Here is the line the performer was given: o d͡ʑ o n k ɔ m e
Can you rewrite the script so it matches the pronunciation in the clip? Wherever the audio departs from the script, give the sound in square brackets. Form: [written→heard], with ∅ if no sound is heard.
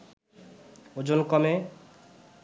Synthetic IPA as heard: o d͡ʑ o n k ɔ m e